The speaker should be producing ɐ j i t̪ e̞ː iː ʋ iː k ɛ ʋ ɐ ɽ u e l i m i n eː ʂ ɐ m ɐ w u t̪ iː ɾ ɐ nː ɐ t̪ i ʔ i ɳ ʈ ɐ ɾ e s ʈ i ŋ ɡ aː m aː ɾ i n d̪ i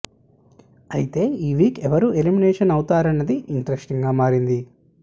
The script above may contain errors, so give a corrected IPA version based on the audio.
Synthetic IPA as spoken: ɐ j i t̪ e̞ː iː ʋ iː k ɛ ʋ ɐ ɾ u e l i m i n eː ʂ ɐ n ɐ w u t̪ aː ɾ ɐ nː ɐ d̪ i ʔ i ɳ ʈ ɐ ɾ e s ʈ i ŋ ɡ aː m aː ɾ i n d̪ i

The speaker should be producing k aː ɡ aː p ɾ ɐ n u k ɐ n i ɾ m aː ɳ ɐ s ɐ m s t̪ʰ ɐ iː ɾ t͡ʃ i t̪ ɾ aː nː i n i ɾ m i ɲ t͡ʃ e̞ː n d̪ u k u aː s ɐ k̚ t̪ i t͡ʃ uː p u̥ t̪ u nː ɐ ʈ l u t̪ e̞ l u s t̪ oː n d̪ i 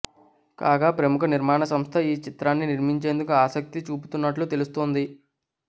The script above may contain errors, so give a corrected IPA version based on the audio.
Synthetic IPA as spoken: k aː ɡ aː p ɾ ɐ m u k ɐ n i ɾ m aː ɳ ɐ s ɐ m s t̪ʰ ɐ iː t͡ʃ i t̪ ɾ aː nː i n i ɾ m i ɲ t͡ʃ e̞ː n d̪ u k u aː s ɐ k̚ t̪ i t͡ʃ uː p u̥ t̪ u nː ɐ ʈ l u t̪ e̞ l u s t̪ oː n d̪ i

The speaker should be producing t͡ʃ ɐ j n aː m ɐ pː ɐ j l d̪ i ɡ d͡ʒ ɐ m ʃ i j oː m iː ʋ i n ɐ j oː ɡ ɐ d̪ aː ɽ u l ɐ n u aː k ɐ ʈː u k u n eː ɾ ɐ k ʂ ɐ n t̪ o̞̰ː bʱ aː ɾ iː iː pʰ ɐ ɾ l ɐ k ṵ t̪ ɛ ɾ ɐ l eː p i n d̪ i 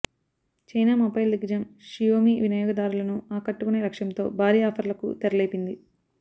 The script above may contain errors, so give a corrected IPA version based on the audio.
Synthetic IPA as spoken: t͡ʃ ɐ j n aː m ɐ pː ɐ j l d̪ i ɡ d͡ʒ ɐ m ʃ i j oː m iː ʋ i n ɐ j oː ɡ ɐ d̪ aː ɾ u l ɐ n u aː k ɐ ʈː u k u n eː ɾ ɐ k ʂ ɐ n t̪ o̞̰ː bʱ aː ɾ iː aː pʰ ɐ ɾ l ɐ k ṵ t̪ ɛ ɾ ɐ l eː p i n d̪ i

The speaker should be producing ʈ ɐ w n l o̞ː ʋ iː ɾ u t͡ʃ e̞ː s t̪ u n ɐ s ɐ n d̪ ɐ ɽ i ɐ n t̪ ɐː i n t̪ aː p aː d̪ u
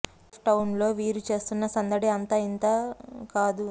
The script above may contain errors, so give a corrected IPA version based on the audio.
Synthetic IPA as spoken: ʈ ɐ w n l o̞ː ʋ iː ɾ u t͡ʃ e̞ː s t̪ u nː ɐ s ɐ n d̪ ɐ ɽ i ɐ n t̪ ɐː i n t̪ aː k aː d̪ u

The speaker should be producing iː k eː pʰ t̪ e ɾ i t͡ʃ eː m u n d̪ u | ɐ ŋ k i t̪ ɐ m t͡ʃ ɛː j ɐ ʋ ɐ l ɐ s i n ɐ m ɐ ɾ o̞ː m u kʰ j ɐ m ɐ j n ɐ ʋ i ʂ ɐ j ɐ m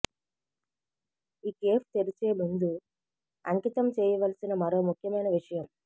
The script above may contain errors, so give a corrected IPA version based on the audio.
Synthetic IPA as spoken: iː k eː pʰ t̪ e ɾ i t͡ʃ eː m u n d̪ u | ɐ ŋ k i t̪ ɐ m t͡ʃ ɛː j ɐ ʋ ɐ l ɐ s i n ɐ m ɐ ɾ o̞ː m u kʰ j ɐ m ɐ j n ɐ ʋ i ʂ ɐ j ɐ m

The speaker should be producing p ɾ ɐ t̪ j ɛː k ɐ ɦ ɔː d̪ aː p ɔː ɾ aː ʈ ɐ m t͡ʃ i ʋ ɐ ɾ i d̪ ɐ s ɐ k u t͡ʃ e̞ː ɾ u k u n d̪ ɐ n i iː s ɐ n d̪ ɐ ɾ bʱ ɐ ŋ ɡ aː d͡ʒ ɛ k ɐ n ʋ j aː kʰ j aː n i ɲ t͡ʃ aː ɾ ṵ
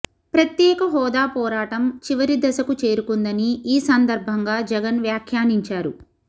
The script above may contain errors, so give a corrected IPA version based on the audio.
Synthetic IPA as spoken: p ɾ ɐ t̪ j ɛː k ɐ ɦ ɔː d̪ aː p ɔː ɾ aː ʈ ɐ m t͡ʃ i ʋ ɐ ɾ i d̪ ɐ s ɐ k u t͡ʃ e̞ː ɾ u k u n d̪ ɐ n i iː s ɐ n d̪ ɐ ɾ bʱ ɐ ŋ ɡ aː d͡ʒ ɛ ɡ ɐ n ʋ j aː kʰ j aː n i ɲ t͡ʃ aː ɾ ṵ

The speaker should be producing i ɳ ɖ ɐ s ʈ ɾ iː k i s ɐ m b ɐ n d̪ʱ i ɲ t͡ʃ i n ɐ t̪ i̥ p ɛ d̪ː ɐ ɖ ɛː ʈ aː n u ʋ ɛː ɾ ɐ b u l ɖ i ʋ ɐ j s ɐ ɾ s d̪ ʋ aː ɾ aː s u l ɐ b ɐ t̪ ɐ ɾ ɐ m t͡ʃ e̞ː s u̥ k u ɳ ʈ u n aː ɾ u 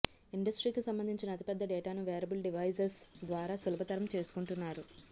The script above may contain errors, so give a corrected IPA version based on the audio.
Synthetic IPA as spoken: i ɳ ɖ ɐ s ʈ ɾ iː k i s ɐ m b ɐ n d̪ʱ i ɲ t͡ʃ i n ɐ t̪ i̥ p ɛ d̪ː ɐ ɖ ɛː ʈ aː n u ʋ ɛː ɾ ɐ b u l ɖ i ʋ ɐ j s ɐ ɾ s d̪ ʋ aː ɾ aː s u l ɐ b ɐ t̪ ɐ ɾ ɐ m t͡ʃ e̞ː s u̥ k u ɳ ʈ u nː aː ɾ u

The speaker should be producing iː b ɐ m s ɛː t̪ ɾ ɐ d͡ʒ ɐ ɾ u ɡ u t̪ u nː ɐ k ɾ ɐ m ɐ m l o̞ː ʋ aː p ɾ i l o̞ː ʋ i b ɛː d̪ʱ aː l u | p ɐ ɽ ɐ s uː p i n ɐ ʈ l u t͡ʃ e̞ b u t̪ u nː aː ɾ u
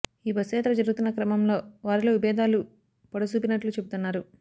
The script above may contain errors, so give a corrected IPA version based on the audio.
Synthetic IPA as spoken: iː b ɐ s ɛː t̪ ɾ ɐ d͡ʒ ɐ ɾ u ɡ u t̪ u nː ɐ k ɾ ɐ m ɐ m l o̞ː ʋ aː ɾ i l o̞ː ʋ i b ɛː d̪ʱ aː l u | p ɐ ɽ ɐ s uː p i n ɐ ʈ l u t͡ʃ e̞ b u t̪ u nː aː ɾ u

